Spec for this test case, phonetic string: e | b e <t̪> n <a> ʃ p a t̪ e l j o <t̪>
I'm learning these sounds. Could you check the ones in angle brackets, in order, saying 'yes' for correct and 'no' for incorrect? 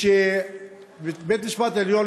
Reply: yes, no, no

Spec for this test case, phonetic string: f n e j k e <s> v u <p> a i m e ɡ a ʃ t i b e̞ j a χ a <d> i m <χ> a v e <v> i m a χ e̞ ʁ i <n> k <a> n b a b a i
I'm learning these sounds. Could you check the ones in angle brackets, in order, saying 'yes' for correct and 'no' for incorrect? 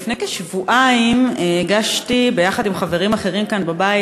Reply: no, no, yes, yes, no, no, yes

